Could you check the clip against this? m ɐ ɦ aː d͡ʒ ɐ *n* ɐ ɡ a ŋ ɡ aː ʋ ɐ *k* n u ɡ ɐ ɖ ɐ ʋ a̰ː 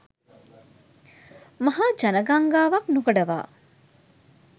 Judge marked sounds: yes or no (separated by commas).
yes, yes